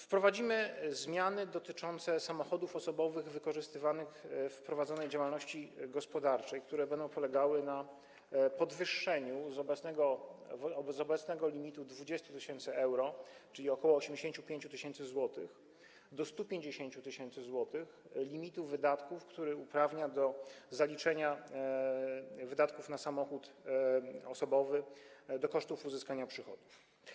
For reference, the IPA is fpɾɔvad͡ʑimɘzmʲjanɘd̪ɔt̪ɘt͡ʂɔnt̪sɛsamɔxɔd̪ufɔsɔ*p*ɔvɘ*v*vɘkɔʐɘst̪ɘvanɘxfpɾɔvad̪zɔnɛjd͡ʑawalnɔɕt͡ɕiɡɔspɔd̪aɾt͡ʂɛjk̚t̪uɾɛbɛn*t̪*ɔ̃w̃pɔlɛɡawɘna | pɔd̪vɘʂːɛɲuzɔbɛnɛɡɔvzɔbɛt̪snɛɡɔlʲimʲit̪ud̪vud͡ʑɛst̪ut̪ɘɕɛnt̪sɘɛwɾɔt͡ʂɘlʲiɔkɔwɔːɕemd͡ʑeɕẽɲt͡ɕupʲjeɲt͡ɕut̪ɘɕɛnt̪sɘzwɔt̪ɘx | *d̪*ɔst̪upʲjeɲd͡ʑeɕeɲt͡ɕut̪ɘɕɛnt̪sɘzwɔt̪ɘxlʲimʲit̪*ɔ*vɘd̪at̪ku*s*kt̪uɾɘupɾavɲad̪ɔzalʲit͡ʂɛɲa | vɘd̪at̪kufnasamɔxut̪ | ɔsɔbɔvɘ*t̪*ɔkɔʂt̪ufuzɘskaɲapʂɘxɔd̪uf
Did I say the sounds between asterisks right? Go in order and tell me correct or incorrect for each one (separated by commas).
incorrect, incorrect, incorrect, correct, incorrect, incorrect, incorrect